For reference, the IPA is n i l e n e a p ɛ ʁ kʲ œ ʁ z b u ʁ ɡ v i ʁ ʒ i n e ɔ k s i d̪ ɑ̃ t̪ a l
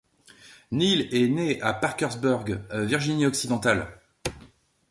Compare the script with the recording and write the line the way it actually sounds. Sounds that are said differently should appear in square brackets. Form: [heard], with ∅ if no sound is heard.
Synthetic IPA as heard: n i l [ɛ] n e a p [a] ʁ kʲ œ ʁ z b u ʁ ɡ v i ʁ ʒ i n [i] ɔ k s i d̪ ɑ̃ t̪ a l